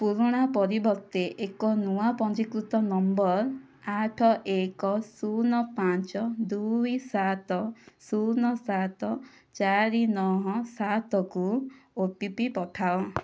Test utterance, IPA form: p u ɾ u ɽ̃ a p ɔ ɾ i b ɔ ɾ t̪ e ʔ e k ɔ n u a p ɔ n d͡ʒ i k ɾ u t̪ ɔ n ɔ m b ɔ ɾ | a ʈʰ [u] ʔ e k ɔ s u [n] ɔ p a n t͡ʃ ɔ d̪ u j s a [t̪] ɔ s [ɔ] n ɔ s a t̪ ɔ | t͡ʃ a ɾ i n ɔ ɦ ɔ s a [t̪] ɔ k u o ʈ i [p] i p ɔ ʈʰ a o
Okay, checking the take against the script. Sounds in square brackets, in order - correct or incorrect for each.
incorrect: ɔ, correct, correct, incorrect: u, correct, correct

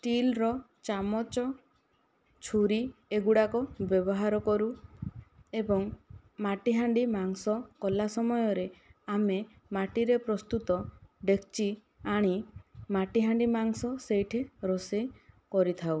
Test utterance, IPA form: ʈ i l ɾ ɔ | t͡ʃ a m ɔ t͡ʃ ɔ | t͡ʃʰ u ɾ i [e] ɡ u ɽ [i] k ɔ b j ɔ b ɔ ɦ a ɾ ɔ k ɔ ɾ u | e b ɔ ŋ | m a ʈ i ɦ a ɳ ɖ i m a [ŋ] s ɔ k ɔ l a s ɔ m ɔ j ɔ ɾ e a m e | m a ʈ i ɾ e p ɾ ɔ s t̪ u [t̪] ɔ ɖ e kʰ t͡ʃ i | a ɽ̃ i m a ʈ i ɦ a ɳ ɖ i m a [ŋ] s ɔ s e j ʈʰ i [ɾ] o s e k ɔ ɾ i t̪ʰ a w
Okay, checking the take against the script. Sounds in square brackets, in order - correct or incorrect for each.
correct, incorrect: a, correct, correct, correct, correct

